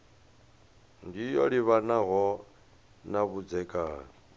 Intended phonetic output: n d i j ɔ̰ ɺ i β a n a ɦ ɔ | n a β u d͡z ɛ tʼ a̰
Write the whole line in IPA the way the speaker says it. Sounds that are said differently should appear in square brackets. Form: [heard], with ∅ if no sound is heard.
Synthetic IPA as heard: n d i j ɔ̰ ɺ i β a n a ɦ ɔ | n a β u d͡z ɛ [kʼ] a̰

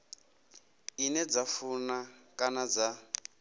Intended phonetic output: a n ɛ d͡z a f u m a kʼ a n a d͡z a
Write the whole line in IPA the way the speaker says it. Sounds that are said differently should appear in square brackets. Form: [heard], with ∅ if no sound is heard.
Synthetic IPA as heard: [i] n ɛ d͡z a f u [n] a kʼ a n a d͡z a

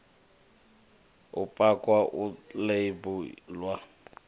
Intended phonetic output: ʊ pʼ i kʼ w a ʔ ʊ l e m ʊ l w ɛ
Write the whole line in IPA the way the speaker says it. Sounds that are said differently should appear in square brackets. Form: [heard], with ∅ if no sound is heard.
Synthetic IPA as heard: ʊ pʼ [a] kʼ w a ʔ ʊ l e [b] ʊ l w [a]

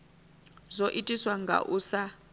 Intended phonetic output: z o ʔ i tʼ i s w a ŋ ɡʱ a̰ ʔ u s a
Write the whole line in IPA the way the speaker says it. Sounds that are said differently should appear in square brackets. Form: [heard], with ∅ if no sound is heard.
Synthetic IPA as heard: z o ʔ i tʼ i s w a ŋ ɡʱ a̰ ʔ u s a

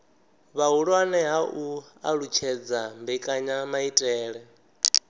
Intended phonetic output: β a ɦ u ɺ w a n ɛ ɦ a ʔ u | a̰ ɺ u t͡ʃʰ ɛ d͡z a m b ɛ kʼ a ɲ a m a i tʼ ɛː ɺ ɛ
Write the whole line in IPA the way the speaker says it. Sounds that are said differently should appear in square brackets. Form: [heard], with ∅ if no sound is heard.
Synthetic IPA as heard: β a ɦ u ɺ w a n ɛ ɦ a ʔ u | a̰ ɺ u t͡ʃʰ ɛ d͡z a m b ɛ kʼ a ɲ a m a i tʼ ɛː ɺ ɛ

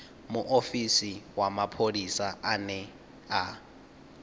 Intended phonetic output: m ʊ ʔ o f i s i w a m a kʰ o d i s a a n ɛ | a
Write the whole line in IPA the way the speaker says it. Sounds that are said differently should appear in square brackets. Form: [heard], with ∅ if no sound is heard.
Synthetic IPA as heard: m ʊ ʔ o f i s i w a m a [pʰ] o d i s a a n ɛ | a

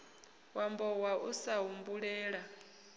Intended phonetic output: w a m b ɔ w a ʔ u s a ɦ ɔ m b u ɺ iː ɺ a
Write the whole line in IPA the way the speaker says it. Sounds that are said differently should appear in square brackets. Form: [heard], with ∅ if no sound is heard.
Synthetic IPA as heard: w a m b ɔ w a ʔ u s a ɦ [u] m b u ɺ [ɛː] ɺ a

